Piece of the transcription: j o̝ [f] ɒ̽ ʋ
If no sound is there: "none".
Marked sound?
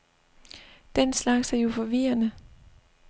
f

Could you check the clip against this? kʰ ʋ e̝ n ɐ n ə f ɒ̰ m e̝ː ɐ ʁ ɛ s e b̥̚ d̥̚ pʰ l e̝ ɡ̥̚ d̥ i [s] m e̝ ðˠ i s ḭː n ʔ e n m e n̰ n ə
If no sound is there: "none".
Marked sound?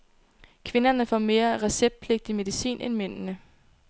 none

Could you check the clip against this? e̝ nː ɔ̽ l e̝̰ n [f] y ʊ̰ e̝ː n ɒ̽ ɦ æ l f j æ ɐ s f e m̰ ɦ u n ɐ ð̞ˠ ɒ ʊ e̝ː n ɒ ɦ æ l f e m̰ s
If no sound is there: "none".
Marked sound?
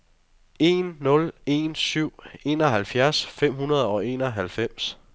s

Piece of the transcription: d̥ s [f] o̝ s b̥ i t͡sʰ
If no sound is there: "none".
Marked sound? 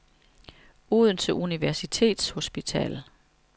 h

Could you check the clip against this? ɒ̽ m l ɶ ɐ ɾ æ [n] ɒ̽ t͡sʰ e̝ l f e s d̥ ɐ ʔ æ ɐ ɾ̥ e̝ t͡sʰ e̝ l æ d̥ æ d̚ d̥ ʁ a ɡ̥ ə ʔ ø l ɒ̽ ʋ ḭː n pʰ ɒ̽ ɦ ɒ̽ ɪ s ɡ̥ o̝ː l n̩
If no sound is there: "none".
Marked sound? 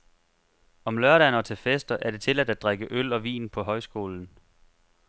n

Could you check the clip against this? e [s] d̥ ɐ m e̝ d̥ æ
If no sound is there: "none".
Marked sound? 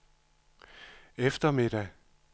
f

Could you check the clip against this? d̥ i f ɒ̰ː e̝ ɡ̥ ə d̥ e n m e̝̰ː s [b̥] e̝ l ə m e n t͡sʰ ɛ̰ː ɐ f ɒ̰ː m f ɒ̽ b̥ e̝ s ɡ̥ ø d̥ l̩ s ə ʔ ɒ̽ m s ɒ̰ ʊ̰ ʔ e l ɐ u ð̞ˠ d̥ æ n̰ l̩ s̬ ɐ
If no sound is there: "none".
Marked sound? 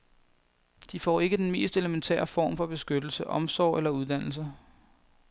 d̥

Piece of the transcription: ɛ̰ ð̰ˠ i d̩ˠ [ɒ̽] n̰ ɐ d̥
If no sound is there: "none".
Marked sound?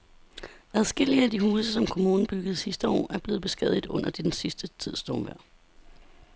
ɔ̽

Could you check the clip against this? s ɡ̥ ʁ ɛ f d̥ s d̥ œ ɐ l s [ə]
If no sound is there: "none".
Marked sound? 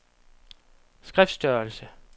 ə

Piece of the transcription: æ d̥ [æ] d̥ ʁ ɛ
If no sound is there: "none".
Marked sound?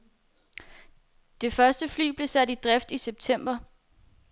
i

